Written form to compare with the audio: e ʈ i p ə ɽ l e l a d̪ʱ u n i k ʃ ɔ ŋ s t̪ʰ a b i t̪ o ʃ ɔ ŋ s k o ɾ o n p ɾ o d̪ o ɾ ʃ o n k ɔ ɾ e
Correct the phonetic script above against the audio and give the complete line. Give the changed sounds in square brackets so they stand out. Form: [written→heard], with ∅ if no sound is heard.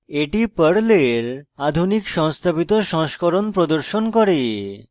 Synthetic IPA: e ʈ i p ə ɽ l e [l→ɾ] a d̪ʱ u n i k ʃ ɔ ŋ s t̪ʰ a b i t̪ o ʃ ɔ ŋ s k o ɾ o n p ɾ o d̪ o ɾ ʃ o n k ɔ ɾ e